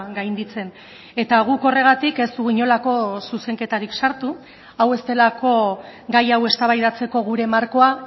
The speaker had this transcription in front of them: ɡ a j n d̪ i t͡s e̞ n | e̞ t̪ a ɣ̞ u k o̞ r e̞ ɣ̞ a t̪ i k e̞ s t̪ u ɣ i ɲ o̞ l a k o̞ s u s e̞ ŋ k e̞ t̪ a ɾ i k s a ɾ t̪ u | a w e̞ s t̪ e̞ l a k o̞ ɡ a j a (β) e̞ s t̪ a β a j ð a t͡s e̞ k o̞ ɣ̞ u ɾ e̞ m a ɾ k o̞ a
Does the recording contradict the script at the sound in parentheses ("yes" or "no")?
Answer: yes